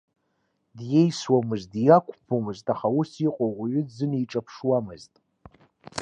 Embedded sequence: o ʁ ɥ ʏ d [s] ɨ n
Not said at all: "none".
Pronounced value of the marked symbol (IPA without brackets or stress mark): z